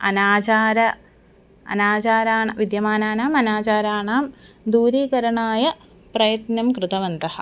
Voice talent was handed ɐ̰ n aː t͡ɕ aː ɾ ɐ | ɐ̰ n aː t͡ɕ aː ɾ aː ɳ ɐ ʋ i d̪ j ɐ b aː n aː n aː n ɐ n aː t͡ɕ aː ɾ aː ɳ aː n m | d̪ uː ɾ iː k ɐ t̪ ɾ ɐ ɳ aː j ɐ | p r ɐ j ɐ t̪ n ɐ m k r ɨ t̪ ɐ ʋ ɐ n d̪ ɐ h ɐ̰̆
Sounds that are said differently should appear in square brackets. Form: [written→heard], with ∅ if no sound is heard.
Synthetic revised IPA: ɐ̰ n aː t͡ɕ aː ɾ ɐ | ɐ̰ n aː t͡ɕ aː ɾ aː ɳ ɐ ʋ i d̪ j ɐ [b→m] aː n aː n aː [n→m] ɐ n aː t͡ɕ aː ɾ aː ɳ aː [n→∅] m | d̪ uː ɾ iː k ɐ [t̪→∅] ɾ ɐ ɳ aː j ɐ | p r ɐ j ɐ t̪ n ɐ m k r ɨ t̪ ɐ ʋ ɐ n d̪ ɐ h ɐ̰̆